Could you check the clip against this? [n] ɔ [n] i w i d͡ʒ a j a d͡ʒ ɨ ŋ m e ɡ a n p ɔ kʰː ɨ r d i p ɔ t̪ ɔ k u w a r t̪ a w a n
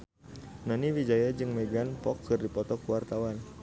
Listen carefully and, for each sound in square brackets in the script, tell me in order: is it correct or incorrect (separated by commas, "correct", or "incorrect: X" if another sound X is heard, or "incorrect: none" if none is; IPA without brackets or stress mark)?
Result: correct, correct